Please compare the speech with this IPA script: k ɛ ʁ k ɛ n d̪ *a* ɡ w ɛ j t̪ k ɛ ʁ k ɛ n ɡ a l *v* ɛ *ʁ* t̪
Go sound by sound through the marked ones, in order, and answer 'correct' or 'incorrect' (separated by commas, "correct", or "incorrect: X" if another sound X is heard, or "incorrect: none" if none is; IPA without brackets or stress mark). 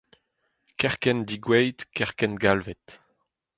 incorrect: i, correct, incorrect: none